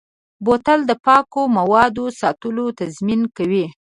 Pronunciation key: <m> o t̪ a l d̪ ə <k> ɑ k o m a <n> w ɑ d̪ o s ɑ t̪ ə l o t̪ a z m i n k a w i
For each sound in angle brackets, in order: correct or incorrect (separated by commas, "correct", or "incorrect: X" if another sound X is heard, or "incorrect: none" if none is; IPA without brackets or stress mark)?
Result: incorrect: b, incorrect: p, incorrect: none